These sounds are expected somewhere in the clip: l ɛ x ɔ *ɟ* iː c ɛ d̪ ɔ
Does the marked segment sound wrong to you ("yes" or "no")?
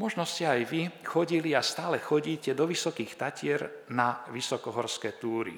no